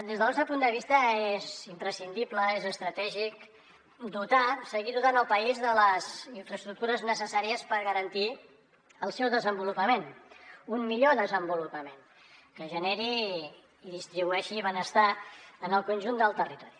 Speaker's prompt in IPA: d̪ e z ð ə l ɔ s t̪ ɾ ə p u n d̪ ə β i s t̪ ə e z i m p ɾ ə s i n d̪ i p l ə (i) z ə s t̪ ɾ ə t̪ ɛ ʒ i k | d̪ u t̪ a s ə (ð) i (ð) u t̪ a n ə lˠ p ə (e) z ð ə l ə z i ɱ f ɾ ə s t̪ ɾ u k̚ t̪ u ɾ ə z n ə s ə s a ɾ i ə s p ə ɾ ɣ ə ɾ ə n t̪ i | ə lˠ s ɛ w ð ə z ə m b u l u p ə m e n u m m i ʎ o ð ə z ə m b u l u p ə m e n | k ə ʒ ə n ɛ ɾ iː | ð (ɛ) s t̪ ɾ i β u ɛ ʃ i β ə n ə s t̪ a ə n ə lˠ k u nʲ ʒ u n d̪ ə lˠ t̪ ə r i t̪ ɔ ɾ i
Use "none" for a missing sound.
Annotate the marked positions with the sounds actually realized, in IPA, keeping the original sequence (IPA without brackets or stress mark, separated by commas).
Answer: e, ɣ, ð, i, i